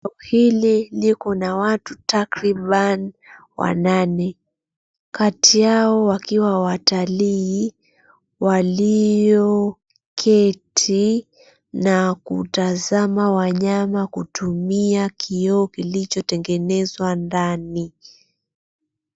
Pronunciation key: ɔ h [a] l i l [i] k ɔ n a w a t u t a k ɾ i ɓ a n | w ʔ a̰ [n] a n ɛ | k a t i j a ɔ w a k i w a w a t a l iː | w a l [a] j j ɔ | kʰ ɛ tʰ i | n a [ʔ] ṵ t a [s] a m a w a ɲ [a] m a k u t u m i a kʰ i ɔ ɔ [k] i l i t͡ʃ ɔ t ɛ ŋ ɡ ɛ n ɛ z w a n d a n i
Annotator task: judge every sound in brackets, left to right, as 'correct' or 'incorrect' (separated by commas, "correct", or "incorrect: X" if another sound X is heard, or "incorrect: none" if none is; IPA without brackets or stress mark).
incorrect: i, correct, correct, incorrect: i, incorrect: k, incorrect: z, correct, correct